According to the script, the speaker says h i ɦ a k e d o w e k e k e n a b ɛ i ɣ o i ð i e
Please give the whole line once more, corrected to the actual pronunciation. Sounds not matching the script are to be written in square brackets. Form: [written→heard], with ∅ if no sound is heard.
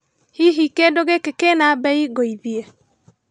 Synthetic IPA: h i ɦ [a→i] k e d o [w→ɣ] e k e k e n a b ɛ i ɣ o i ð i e